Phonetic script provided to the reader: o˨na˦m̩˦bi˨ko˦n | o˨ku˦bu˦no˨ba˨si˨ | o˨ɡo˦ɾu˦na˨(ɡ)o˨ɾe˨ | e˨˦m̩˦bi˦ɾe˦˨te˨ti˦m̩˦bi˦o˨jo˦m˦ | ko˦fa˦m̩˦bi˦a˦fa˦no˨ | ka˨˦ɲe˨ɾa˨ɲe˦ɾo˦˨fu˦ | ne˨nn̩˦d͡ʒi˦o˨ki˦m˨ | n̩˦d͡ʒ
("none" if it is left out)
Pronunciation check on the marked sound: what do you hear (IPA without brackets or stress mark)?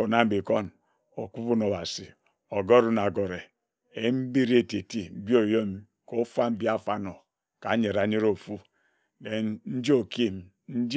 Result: ɡ